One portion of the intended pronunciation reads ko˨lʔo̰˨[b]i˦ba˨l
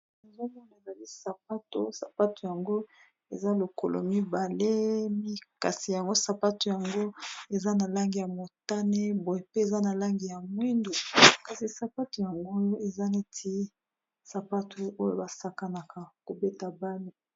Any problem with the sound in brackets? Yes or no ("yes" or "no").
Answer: yes